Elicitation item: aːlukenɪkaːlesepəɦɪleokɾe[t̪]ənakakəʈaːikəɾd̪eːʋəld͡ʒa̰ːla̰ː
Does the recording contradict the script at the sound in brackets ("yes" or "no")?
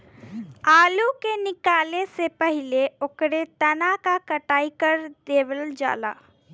no